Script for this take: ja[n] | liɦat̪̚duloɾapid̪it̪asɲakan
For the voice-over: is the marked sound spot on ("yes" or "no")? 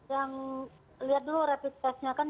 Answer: no